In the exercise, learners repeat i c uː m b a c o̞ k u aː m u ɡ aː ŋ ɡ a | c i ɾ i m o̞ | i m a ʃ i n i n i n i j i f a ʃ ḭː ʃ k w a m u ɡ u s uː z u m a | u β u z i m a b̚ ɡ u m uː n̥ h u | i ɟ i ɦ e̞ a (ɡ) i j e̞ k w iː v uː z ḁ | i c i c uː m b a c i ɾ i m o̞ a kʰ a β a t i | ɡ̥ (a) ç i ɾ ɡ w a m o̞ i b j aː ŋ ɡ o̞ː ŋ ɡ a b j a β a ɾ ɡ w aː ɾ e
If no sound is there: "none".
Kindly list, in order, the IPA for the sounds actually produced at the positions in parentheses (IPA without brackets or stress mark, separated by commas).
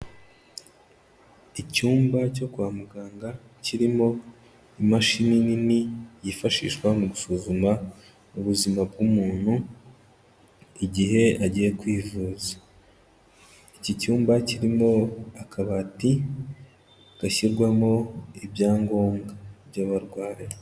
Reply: ɟ, a